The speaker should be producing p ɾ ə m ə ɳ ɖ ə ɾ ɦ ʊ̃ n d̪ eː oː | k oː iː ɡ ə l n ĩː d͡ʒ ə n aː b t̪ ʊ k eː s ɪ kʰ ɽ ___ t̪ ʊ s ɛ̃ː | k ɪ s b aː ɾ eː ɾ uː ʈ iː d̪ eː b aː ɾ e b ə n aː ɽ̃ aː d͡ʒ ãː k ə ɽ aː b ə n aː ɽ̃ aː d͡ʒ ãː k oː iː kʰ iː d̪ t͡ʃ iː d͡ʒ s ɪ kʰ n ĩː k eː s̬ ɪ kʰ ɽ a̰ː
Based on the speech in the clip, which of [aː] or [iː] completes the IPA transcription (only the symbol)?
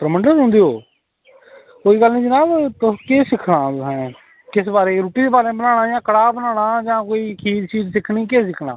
aː